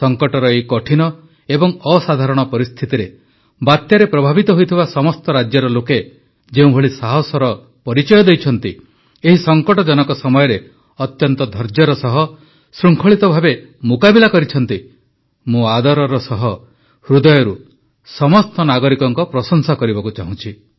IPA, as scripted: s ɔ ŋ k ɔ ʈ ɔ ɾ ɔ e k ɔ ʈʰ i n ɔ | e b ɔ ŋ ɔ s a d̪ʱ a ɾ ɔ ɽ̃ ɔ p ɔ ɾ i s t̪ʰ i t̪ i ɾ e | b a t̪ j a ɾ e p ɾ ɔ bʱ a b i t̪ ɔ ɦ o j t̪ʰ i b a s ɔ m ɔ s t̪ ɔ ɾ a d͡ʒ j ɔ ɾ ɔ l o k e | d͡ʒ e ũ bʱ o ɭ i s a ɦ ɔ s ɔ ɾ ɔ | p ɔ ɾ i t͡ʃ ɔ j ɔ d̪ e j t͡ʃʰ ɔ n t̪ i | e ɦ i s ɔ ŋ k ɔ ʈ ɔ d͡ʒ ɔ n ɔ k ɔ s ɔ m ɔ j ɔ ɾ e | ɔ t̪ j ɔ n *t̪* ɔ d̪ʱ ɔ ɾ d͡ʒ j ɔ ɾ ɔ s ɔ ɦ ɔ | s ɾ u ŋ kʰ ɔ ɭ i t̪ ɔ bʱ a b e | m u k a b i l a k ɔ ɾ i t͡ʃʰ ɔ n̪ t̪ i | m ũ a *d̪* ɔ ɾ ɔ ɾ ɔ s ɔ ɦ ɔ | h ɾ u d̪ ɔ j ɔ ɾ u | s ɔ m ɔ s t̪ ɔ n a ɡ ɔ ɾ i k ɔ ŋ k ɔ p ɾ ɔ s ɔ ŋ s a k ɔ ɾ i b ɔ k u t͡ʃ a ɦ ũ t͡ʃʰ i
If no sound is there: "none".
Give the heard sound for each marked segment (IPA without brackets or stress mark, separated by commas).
t̪, d̪